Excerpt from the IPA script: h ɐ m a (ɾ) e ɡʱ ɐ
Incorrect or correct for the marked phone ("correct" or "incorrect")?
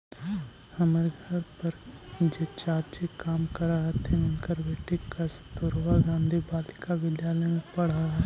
correct